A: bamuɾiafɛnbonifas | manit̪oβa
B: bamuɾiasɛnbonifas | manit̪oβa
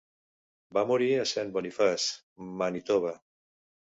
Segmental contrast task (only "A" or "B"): B